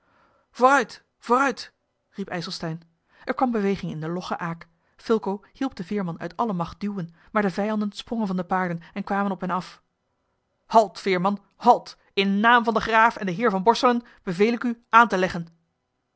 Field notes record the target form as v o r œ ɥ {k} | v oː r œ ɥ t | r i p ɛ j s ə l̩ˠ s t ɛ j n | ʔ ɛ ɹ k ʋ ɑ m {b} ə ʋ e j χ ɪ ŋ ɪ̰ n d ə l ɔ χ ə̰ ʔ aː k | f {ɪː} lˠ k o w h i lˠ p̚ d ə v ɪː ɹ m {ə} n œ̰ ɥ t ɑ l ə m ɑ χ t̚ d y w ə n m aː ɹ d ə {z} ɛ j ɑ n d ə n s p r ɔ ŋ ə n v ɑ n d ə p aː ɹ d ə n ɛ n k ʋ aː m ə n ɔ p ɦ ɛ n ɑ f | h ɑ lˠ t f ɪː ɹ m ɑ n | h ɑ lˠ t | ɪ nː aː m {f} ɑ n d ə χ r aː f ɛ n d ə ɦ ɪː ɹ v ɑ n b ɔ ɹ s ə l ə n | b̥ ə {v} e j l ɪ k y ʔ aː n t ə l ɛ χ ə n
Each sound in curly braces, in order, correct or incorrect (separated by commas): incorrect, correct, incorrect, incorrect, incorrect, incorrect, correct